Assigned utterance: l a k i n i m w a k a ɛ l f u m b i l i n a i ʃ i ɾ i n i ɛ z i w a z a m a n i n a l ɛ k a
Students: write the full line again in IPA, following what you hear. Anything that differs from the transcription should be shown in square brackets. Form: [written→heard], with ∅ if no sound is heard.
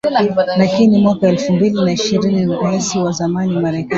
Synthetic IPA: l a k i n i m w a k a ɛ l f u m b i l i n a i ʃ i ɾ i n i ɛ [z→s] i w a z a m a n i [n→m] a [l→ɾ] ɛ k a

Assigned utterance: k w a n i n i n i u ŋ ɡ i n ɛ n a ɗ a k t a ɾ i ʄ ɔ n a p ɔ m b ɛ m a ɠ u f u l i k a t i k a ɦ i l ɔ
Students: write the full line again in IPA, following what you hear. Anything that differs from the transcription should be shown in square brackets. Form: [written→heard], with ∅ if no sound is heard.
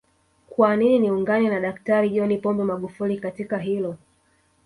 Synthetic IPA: k w a n i n i n i u ŋ ɡ [i→a] n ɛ n a ɗ a k t a ɾ i ʄ ɔ n [a→i] p ɔ m b ɛ m a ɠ u f u l i k a t i k a ɦ i l ɔ

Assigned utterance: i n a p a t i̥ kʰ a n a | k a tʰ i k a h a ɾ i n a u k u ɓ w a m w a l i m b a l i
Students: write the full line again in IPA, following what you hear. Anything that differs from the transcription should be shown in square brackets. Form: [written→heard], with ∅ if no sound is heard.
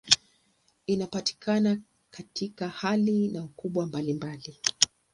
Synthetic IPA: i n a p a t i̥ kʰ a n a | k a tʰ i k a h a [ɾ→l] i n a u k u ɓ w a m [w→b] a l i m b a l i

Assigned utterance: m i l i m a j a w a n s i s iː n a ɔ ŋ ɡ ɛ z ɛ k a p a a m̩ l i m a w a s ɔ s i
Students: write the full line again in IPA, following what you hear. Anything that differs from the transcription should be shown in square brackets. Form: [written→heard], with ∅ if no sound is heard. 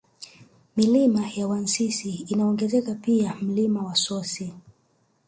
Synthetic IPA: m i l i m a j a w a n s i s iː n a ɔ ŋ ɡ ɛ z ɛ k a p [a→i] a m̩ l i m a w a s ɔ s i

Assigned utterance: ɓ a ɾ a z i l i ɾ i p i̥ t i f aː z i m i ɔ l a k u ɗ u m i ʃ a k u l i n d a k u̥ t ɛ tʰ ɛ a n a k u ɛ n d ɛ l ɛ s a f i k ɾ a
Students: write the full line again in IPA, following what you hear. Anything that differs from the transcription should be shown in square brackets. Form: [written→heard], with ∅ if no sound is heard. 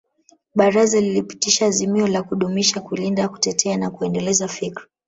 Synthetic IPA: ɓ a ɾ a z [i→a] l i [ɾ→l] i p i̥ t i [f→ʃ] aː z i m i ɔ l a k u ɗ u m i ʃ a k u l i n d a k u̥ t ɛ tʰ ɛ a n a k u ɛ n d ɛ l ɛ [s→z] a f i k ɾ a

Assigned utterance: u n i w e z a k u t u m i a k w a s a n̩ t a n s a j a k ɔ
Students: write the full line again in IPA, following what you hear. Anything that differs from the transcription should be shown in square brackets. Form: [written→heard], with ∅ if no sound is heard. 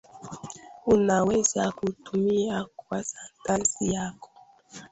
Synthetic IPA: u n [i→a] w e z a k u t u m i a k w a s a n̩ t a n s [a→i] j a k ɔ

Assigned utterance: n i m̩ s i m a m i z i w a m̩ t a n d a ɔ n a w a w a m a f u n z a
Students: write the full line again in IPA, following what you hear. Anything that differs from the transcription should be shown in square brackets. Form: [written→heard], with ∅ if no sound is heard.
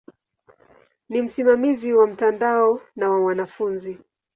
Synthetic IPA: n i m̩ s i m a m i z i w a m̩ t a n d a ɔ n a w a w a [m→n] a f u n z [a→i]

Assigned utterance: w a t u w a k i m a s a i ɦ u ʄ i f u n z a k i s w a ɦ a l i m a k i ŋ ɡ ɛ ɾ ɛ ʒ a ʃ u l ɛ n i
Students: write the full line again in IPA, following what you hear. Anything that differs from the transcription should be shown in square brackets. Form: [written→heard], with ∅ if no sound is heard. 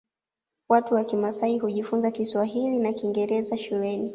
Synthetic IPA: w a t u w a k i m a s a i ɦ u ʄ i f u n z a k i s w a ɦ [a→i] l i [m→n] a k i ŋ ɡ ɛ ɾ ɛ [ʒ→z] a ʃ u l ɛ n i

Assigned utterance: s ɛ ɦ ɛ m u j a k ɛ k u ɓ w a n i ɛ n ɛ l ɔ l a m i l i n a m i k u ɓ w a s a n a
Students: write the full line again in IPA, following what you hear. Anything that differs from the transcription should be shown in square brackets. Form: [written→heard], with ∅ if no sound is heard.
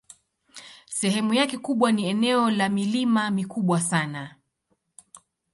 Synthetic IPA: s ɛ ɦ ɛ m u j a k ɛ k u ɓ w a n i ɛ n ɛ [l→∅] ɔ l a m i l i [n→m] a m i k u ɓ w a s a n a

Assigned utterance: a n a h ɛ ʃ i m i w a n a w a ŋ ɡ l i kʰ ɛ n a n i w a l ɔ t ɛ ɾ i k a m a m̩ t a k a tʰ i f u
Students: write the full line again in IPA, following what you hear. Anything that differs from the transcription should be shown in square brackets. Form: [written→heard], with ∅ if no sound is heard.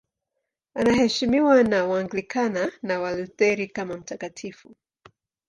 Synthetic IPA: a n a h ɛ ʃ i m i w a n a w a ŋ ɡ l i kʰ [ɛ→a] n a n [i→a] w a l [ɔ→u] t ɛ ɾ i k a m a m̩ t a k a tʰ i f u

